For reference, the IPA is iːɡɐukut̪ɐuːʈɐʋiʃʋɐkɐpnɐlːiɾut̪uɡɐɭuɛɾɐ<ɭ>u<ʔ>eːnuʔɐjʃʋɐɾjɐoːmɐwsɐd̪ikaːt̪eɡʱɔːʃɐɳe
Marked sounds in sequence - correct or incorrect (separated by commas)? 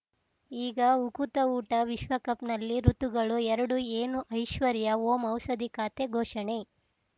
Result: incorrect, incorrect